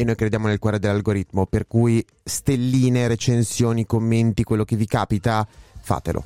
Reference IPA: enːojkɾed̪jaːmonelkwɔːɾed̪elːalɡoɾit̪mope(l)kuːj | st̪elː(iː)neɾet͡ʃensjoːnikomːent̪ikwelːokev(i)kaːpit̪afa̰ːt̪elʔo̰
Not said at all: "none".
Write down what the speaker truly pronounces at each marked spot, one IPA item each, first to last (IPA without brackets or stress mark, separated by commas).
r, iː, i